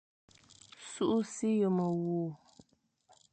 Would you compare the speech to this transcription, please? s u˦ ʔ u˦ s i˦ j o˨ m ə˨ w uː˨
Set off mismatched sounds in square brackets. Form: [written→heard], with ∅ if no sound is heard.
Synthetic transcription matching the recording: s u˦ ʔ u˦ s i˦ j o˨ m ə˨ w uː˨